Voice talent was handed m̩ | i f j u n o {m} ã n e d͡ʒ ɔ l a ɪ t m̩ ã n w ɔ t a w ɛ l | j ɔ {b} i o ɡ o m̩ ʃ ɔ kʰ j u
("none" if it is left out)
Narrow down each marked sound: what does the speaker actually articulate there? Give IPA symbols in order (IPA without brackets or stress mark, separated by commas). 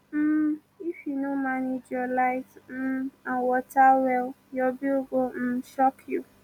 m, b